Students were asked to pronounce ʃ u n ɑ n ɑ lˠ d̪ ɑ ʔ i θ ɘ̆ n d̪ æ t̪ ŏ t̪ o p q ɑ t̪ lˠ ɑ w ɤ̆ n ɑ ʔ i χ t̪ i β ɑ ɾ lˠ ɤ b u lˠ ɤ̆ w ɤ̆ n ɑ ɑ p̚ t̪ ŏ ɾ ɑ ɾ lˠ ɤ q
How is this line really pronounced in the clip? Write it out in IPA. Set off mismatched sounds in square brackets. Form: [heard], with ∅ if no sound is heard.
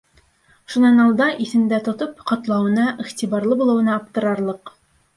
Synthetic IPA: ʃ u n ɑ n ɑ lˠ d̪ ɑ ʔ i θ ɘ̆ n d̪ æ t̪ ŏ t̪ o p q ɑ t̪ lˠ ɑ w ɤ̆ n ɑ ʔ i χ t̪ i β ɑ ɾ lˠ ɤ b u lˠ ɤ̆ w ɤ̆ n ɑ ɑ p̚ t̪ [ɤ̆] ɾ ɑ ɾ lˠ ɤ q